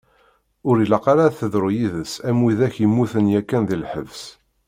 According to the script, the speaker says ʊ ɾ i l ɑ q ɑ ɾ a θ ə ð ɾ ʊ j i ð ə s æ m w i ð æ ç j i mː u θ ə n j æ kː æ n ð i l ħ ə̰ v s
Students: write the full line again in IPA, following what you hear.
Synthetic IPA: ʊ ɾ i l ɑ q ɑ ɾ a θ ə ð ɾ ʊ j i ð ə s æ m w i ð æ ç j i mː u θ ə n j æ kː æ n ð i l ħ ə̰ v s